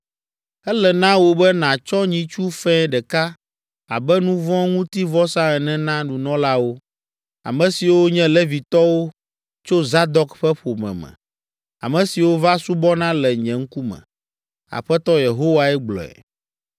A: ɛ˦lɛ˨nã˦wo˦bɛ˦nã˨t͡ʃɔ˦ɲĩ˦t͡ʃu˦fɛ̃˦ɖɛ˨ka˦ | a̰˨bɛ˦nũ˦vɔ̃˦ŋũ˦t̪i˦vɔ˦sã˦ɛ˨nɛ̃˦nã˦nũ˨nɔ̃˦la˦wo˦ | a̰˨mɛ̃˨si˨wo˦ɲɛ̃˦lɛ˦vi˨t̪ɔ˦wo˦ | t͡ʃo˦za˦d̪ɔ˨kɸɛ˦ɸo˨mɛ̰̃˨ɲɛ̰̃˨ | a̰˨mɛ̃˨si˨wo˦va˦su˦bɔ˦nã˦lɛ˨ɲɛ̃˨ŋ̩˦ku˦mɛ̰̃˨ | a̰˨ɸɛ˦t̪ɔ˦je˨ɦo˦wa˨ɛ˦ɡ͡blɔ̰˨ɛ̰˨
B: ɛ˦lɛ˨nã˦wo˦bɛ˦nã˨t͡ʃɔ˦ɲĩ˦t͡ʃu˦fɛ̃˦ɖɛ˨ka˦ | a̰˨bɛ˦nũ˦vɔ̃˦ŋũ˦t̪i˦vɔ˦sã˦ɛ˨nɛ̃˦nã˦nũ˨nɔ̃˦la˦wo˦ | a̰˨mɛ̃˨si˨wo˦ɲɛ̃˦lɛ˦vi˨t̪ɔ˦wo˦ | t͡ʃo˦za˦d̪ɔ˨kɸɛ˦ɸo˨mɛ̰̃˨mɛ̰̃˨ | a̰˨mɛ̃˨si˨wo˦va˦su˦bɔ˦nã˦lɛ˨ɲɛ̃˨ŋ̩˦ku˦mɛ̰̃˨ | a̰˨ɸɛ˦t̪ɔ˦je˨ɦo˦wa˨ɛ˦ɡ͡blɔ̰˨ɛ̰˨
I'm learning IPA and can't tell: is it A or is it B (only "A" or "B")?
B